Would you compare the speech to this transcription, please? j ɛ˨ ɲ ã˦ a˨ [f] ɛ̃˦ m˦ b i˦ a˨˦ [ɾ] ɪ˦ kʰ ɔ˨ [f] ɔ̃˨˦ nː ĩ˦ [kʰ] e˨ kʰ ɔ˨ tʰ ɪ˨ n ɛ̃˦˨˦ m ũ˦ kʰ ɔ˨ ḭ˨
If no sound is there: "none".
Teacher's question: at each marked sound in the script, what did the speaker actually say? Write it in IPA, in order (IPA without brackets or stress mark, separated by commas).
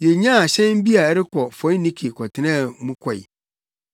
ɕ, ɾ, f, kʰ